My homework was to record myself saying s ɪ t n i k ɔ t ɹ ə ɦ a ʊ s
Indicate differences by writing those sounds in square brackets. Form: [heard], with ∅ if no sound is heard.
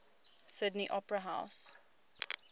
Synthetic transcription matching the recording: s ɪ [d] n i [ʔ] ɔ [p] ɹ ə ɦ a ʊ s